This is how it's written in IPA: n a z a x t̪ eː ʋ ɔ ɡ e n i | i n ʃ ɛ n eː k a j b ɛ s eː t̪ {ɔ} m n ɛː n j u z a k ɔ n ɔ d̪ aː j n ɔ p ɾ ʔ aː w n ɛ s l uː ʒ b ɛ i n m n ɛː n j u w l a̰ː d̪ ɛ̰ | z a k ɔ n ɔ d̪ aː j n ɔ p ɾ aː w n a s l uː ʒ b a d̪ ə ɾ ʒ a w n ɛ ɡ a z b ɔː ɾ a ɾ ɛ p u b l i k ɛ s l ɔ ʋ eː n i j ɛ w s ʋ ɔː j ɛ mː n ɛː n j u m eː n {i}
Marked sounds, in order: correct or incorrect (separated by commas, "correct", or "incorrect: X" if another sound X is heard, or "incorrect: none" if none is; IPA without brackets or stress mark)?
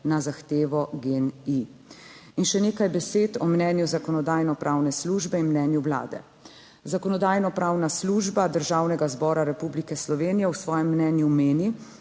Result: correct, correct